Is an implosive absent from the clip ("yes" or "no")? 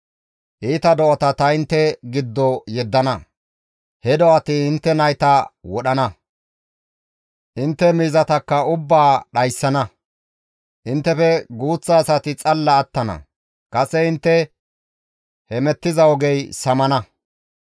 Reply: no